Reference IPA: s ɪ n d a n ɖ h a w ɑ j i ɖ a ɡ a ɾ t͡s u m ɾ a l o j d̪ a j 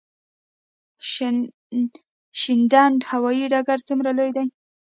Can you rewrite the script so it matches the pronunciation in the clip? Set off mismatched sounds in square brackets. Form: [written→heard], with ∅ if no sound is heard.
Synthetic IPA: [s→ʃ] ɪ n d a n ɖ h a w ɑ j i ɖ a ɡ a ɾ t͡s u m ɾ a l o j d̪ a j